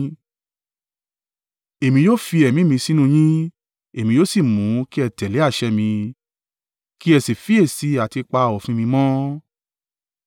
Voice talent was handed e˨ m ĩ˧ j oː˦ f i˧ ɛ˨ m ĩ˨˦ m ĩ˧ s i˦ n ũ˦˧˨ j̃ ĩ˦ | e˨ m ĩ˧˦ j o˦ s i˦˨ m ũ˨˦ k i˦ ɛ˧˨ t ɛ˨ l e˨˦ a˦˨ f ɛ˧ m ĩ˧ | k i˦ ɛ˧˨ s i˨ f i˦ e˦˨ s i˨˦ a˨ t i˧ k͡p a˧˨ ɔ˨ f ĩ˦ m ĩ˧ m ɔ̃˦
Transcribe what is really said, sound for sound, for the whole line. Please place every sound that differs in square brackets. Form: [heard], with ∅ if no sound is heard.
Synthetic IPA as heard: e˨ m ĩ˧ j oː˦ f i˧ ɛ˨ m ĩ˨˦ m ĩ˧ s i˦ n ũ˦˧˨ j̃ ĩ˦ | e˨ m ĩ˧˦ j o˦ s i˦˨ m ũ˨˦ k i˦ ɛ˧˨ t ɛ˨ l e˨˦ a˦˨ [ʃ] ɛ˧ m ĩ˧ | k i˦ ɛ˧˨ s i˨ f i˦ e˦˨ s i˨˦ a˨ t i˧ k͡p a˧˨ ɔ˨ f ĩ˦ m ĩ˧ m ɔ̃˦